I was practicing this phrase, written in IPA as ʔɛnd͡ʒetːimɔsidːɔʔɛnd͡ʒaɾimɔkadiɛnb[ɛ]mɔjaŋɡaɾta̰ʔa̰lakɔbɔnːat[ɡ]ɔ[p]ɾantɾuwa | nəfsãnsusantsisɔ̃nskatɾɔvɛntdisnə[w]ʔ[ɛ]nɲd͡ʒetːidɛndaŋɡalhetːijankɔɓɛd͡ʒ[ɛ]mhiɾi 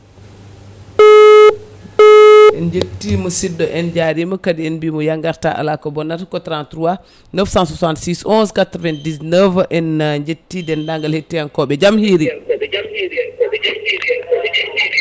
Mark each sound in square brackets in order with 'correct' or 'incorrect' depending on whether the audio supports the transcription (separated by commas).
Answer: incorrect, incorrect, incorrect, incorrect, correct, incorrect